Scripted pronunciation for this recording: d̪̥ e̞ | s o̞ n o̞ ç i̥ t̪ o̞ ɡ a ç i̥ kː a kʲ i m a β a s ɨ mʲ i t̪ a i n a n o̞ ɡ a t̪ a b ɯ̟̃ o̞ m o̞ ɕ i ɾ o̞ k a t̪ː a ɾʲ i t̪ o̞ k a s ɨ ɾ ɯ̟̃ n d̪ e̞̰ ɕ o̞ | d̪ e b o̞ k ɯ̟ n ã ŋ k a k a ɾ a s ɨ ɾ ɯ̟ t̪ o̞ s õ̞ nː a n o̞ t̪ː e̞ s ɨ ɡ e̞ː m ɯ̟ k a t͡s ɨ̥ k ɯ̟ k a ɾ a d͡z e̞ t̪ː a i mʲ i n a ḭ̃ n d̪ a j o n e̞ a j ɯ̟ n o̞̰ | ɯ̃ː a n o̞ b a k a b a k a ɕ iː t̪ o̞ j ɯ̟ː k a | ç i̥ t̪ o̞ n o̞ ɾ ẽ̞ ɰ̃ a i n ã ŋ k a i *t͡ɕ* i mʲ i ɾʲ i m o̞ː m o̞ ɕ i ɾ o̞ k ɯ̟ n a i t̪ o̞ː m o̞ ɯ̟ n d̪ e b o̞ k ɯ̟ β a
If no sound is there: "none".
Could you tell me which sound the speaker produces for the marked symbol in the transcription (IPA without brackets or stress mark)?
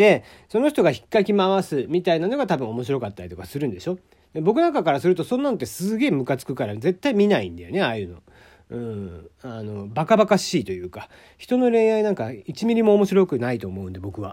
t͡ɕ